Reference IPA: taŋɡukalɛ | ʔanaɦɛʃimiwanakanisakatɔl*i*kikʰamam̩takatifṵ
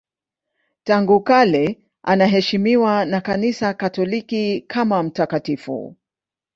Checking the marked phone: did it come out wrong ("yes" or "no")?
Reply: no